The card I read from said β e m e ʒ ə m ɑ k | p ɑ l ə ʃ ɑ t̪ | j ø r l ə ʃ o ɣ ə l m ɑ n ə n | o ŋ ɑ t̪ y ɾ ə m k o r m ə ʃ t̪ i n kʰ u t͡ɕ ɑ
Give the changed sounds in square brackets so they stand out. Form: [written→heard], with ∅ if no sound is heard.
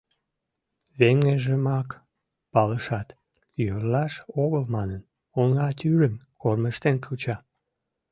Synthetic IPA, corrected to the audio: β e [m→ŋ] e ʒ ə m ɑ k | p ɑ l ə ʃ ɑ t̪ | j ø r l [ə→ɑ] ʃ o ɣ ə l m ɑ n ə n | o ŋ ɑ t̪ y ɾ ə m k o r m ə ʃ t̪ [i→e] n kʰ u t͡ɕ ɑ